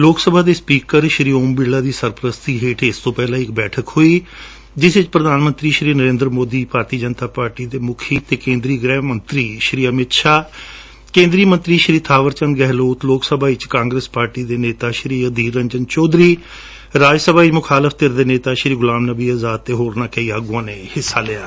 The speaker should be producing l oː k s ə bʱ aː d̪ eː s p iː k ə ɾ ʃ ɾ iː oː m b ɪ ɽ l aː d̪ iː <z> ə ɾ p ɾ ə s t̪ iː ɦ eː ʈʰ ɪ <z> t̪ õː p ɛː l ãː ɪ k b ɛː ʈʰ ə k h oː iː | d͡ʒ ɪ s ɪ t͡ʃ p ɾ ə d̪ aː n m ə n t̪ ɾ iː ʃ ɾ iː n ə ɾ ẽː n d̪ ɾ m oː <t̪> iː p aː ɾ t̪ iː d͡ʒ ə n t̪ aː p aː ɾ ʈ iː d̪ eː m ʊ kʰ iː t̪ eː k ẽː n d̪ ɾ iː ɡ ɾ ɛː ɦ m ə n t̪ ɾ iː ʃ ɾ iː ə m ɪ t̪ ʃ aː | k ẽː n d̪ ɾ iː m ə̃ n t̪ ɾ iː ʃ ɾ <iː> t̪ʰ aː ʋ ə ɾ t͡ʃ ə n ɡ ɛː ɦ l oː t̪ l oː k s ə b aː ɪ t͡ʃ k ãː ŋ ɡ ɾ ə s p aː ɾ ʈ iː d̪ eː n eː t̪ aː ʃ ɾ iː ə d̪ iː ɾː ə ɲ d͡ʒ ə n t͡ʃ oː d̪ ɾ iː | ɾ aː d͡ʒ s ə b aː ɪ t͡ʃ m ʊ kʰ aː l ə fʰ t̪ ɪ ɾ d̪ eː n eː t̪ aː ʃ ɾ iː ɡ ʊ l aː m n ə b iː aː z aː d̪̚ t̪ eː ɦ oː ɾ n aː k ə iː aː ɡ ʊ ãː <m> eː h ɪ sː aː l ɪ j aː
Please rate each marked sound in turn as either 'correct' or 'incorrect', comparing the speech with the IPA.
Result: incorrect, incorrect, incorrect, correct, incorrect

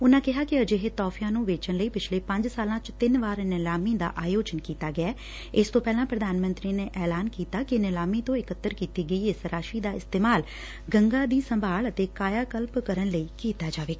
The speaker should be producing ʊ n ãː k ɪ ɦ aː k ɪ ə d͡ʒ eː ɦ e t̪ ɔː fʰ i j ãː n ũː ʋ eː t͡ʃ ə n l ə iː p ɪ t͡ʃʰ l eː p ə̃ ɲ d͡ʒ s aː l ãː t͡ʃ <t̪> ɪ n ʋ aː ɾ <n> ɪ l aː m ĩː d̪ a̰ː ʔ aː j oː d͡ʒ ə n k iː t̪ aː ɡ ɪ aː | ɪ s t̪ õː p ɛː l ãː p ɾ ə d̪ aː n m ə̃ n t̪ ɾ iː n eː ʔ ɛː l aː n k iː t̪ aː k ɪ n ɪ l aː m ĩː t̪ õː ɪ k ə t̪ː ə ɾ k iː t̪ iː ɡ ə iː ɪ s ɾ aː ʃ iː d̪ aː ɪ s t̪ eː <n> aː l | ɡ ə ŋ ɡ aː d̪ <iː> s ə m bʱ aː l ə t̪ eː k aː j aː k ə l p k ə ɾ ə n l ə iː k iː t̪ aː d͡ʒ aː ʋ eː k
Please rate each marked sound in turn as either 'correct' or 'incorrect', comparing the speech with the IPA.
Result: correct, correct, incorrect, correct

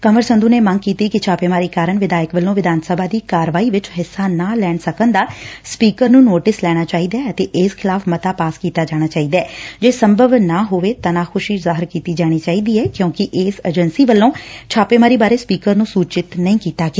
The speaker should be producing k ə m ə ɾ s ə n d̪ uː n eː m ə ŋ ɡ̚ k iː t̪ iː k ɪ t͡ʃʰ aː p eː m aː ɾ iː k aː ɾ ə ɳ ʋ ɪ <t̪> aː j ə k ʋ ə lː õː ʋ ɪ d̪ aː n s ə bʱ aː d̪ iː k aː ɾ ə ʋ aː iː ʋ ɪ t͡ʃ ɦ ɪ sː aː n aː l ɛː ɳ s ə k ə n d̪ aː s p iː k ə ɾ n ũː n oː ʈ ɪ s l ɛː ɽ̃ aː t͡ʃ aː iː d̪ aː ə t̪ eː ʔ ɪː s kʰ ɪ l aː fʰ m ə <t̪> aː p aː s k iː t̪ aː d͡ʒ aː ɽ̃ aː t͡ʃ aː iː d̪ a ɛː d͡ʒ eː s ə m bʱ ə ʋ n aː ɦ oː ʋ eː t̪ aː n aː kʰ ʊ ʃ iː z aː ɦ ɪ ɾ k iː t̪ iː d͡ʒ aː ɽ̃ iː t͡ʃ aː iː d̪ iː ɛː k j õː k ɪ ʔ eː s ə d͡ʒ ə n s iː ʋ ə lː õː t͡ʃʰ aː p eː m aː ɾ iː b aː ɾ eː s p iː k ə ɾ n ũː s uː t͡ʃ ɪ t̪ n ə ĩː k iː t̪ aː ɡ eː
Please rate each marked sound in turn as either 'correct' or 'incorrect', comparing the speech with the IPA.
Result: incorrect, correct

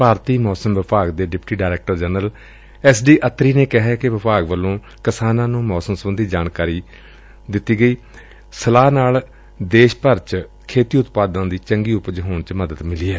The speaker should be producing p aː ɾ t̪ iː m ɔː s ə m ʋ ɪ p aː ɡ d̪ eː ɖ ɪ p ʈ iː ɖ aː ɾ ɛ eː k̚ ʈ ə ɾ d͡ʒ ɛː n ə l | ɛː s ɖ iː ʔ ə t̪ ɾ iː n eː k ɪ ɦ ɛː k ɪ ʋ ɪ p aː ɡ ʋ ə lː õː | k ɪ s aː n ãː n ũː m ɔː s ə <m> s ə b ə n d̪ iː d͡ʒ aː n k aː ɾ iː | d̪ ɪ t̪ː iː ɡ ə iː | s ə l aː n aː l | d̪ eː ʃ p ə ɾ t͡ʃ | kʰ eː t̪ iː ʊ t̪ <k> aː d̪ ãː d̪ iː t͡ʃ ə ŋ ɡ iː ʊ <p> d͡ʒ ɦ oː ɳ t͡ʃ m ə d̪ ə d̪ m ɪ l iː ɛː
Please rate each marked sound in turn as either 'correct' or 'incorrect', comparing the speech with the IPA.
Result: correct, incorrect, correct

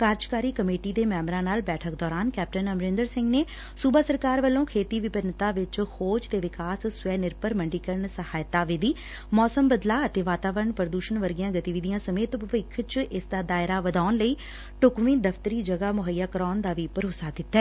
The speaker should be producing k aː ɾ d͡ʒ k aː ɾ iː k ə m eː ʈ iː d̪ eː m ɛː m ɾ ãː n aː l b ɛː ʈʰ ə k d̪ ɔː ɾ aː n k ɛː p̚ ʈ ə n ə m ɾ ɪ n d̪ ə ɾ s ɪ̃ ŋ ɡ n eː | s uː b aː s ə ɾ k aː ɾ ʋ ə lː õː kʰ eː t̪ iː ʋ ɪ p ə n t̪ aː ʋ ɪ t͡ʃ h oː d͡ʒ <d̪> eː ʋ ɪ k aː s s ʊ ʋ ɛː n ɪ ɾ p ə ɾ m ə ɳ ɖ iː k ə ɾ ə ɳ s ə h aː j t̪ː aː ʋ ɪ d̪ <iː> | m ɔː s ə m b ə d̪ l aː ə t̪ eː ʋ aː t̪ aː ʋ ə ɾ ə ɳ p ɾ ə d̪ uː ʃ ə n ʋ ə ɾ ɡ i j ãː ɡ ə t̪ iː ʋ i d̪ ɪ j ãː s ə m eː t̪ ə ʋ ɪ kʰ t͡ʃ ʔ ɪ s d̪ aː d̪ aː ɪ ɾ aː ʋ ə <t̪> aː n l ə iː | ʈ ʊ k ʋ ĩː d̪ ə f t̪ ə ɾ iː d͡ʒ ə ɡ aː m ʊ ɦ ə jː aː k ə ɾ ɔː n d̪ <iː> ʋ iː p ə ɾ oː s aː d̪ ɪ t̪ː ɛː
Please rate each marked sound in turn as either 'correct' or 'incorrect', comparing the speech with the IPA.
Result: incorrect, correct, incorrect, incorrect

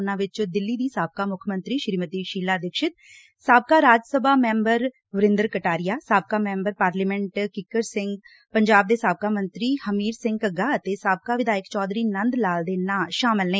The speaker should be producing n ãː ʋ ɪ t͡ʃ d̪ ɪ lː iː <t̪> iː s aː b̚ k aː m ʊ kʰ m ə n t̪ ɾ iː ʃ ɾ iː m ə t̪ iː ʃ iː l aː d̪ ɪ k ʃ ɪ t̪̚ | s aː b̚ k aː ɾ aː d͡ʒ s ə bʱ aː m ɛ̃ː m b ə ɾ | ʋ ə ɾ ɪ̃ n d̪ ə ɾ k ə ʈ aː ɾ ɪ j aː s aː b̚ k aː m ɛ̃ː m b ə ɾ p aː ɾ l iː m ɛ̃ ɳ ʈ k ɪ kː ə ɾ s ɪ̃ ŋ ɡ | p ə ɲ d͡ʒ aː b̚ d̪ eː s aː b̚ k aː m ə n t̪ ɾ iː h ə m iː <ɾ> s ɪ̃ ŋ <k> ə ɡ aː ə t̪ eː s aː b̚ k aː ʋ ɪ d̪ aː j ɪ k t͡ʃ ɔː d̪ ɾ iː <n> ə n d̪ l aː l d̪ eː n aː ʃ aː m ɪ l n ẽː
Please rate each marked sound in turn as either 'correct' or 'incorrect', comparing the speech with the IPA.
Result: incorrect, correct, incorrect, correct

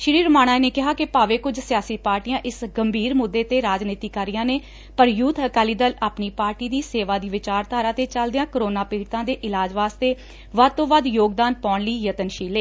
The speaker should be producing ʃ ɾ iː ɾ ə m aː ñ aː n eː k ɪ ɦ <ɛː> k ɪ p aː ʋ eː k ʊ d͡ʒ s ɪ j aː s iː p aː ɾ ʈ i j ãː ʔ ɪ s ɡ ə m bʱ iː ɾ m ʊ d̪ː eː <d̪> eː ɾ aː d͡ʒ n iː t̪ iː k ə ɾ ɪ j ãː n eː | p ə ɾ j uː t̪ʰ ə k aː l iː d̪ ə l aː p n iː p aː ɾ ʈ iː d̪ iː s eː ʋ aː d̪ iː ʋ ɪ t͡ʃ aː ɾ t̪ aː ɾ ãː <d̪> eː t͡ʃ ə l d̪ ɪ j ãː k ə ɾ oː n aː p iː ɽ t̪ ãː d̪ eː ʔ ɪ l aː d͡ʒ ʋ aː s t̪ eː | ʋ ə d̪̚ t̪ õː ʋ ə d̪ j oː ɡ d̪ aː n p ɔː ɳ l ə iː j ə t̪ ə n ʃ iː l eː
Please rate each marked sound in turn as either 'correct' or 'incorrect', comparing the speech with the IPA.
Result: incorrect, incorrect, incorrect

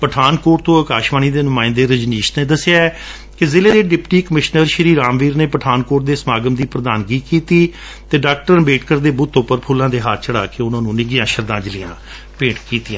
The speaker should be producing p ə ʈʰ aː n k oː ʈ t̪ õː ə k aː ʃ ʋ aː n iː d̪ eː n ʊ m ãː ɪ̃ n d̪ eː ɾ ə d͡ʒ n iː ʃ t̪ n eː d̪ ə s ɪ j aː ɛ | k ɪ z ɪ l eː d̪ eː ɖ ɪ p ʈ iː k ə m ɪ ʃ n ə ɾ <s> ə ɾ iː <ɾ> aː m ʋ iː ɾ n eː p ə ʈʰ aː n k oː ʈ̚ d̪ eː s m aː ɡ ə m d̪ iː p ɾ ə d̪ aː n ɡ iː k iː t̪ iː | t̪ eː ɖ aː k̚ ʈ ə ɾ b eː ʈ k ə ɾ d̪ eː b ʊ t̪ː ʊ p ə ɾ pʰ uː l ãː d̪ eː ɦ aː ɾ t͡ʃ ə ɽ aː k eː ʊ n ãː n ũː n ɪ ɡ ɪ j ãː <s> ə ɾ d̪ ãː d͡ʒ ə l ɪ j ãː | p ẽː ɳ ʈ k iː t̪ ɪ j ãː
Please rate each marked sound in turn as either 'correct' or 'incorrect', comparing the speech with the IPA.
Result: incorrect, correct, incorrect

